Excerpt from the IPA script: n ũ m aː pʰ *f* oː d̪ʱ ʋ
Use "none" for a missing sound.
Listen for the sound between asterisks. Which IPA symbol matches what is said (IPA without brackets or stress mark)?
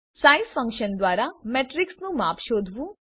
ʃ